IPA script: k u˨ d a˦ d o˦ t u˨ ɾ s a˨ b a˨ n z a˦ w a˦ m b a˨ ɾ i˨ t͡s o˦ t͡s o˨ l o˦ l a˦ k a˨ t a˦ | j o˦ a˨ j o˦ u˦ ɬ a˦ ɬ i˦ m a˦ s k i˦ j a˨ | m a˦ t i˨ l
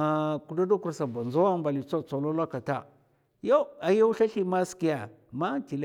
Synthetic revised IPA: k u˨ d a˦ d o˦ k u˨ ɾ s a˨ b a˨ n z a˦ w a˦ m b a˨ l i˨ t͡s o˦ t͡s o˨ l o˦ l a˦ k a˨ t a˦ | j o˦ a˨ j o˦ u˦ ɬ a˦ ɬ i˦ m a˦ s k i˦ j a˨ | m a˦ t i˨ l